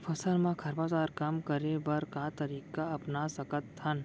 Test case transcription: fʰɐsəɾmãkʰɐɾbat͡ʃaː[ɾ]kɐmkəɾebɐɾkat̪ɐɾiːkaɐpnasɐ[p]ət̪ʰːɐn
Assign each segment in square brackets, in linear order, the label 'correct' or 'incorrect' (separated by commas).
correct, incorrect